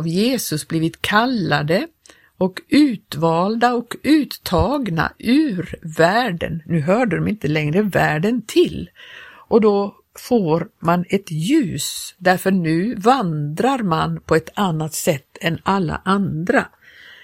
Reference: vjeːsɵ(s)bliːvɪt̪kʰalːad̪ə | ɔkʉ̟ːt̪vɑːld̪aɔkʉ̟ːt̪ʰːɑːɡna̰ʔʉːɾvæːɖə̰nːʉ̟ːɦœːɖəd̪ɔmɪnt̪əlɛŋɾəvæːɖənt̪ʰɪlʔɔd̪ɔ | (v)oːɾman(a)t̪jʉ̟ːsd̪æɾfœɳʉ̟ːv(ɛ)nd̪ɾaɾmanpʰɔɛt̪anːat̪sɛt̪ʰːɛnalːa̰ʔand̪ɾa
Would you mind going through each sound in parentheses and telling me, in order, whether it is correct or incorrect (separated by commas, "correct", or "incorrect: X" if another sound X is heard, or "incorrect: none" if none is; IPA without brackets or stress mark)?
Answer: correct, incorrect: f, incorrect: ɛ, incorrect: a